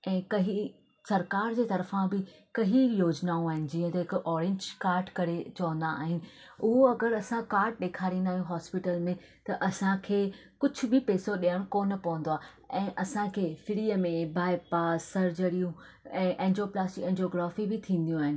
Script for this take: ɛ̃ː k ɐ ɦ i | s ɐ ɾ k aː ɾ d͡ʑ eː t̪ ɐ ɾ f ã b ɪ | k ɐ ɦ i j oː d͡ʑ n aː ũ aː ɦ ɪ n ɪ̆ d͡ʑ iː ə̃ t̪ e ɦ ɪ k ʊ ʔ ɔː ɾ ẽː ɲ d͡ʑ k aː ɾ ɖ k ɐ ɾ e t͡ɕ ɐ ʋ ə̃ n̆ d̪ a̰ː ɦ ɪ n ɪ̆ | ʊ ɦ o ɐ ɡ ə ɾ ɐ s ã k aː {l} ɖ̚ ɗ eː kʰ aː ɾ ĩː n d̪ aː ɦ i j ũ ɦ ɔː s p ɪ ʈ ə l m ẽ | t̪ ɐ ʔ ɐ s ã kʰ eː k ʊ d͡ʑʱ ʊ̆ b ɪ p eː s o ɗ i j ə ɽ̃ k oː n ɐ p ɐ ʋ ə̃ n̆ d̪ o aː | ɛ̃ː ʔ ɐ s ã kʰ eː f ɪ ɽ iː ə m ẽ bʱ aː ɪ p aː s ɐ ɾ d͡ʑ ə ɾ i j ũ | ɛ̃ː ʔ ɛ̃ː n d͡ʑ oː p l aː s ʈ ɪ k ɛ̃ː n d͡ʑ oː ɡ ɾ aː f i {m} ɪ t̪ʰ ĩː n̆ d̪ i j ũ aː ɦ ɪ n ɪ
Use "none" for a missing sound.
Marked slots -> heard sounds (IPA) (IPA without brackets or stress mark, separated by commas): ɾ, b